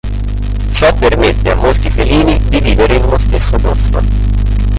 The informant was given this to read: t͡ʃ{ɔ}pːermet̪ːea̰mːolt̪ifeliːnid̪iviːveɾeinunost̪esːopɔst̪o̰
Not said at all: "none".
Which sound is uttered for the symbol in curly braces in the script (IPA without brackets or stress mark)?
ɔ